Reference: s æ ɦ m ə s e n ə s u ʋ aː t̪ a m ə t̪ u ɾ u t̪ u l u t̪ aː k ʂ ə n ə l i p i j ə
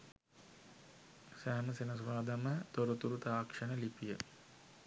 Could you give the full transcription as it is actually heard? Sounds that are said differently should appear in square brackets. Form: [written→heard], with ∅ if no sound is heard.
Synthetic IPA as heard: s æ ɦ m ə s e n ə s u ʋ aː [t̪→d̪] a m ə t̪ [u→o] ɾ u t̪ u [l→ɾ] u t̪ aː k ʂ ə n ə l i p i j ə